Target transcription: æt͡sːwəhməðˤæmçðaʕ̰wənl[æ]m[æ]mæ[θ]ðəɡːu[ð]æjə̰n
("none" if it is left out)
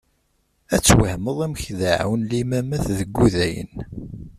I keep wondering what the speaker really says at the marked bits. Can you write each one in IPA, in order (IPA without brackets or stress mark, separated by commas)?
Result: i, æ, θ, ð